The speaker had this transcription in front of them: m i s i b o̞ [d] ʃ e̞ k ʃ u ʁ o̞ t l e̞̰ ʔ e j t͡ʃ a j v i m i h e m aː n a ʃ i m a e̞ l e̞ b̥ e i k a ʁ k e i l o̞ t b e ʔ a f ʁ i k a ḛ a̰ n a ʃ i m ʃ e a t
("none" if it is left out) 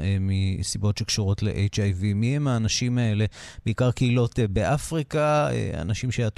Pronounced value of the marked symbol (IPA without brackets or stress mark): t